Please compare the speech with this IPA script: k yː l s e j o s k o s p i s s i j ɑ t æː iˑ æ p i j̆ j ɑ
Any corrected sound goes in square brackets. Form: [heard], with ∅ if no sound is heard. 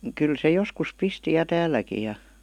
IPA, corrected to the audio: k [y] l s e j o s k [u] s p i s [t] i j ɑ t æː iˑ æ [k] i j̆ j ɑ